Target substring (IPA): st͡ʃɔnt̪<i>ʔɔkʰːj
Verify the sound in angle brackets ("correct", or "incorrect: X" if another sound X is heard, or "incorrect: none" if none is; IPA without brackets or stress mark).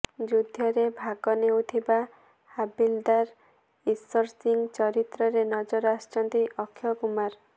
correct